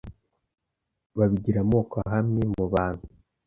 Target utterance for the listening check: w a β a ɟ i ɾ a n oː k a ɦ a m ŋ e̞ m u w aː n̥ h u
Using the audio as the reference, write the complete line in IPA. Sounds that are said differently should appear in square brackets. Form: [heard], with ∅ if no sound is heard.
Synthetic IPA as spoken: [β] a β [i] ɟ i ɾ a [m] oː k a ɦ a m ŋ e̞ m u [β] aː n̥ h u